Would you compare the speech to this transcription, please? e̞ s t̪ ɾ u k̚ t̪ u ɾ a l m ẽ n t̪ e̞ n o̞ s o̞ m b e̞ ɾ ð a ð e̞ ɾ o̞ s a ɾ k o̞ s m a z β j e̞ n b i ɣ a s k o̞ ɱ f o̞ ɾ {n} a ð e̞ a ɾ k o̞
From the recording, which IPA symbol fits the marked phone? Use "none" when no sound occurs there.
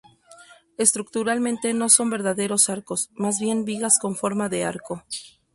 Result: m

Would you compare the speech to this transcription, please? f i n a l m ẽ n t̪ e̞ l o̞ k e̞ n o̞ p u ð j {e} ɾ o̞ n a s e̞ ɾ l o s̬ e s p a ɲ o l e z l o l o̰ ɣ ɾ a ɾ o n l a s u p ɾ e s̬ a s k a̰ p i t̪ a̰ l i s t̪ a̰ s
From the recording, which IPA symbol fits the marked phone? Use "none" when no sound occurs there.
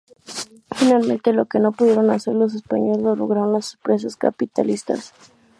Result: e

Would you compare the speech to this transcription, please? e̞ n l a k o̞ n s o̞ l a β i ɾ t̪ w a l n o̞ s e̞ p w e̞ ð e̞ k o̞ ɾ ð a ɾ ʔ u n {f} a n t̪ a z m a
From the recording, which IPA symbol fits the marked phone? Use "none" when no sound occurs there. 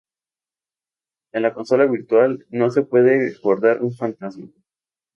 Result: f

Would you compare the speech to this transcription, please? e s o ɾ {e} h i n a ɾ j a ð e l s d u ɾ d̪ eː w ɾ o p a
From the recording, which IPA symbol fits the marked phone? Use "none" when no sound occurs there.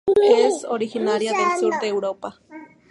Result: i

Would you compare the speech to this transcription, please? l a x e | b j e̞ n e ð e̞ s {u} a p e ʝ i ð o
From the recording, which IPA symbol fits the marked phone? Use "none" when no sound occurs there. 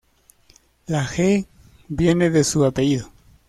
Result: u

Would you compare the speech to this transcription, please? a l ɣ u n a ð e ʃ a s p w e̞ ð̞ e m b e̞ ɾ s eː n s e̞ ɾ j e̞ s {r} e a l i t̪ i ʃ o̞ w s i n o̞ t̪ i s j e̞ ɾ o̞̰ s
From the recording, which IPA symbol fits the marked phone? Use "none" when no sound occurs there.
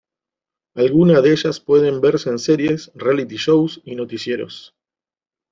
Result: r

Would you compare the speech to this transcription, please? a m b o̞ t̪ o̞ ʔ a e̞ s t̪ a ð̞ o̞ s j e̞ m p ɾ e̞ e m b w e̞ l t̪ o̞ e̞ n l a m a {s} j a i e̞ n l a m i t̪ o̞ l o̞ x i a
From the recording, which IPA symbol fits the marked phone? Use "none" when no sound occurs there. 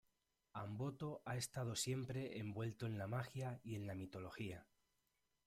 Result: x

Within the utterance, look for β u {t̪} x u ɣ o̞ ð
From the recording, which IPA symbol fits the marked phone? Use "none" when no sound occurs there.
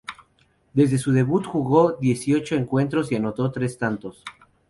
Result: t̪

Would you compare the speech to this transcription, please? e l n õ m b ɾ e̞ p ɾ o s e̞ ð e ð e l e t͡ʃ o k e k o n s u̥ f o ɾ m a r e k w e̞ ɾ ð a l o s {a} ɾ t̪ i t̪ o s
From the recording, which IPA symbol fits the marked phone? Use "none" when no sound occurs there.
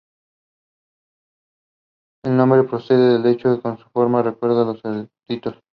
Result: e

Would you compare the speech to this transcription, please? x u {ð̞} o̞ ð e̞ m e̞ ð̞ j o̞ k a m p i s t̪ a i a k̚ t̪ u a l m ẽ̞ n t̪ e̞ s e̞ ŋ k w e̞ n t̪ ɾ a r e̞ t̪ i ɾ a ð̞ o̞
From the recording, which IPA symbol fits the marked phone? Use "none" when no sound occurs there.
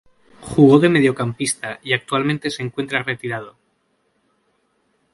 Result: ɣ̞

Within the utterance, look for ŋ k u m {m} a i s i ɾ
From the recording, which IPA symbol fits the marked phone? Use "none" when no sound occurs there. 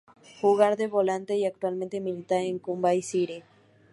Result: b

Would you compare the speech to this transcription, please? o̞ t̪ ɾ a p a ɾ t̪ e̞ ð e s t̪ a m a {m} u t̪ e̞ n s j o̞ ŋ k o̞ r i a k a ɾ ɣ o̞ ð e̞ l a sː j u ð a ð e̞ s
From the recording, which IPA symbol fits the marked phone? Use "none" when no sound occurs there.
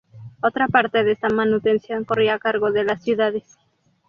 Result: n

